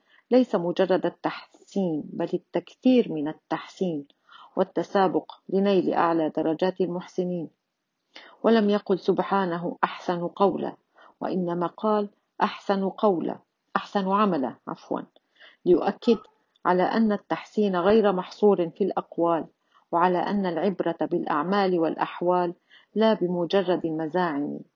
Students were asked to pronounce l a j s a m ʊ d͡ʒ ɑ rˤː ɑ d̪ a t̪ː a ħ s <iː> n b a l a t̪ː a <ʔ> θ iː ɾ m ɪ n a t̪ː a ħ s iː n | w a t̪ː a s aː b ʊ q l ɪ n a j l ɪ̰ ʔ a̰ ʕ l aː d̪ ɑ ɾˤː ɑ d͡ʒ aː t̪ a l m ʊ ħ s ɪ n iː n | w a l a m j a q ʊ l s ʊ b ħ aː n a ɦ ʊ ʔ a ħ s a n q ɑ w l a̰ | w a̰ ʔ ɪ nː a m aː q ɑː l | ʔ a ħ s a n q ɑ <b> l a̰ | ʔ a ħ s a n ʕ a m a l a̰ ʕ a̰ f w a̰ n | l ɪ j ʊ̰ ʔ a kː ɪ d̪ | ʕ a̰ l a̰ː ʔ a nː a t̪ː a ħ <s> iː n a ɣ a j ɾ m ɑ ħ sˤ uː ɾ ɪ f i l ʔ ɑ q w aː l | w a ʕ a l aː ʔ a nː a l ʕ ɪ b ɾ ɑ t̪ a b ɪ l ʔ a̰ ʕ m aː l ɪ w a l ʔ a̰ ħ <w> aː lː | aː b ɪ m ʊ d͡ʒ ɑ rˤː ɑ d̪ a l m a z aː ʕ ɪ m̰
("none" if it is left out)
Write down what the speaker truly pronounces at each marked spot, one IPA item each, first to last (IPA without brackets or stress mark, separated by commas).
iː, k, w, s, w